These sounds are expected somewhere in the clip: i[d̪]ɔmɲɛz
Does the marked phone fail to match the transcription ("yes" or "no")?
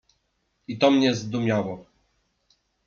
yes